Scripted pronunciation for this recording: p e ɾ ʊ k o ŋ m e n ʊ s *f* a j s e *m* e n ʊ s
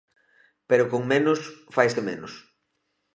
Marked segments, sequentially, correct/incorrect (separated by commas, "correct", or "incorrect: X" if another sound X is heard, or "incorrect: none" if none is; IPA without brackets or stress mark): correct, correct